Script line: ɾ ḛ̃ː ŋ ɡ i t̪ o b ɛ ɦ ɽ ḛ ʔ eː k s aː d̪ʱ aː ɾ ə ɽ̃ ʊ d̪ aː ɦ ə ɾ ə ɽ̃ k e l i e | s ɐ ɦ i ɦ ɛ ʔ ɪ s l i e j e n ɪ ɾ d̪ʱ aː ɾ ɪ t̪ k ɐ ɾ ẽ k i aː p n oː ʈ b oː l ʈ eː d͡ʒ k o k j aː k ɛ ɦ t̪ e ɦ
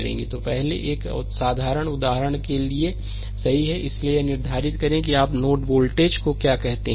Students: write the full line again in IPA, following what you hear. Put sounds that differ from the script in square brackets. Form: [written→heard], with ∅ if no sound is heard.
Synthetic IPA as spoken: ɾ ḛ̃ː ŋ ɡ i t̪ o [b→p] ɛ ɦ [ɽ→l] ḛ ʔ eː k s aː d̪ʱ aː ɾ ə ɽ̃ ʊ d̪ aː ɦ ə ɾ ə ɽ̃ k e l i e | s ɐ ɦ i ɦ ɛ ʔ ɪ s l i e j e n ɪ ɾ d̪ʱ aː ɾ ɪ t̪ k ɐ ɾ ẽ k i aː p n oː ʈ b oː l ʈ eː d͡ʒ k o k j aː k ɛ ɦ t̪ e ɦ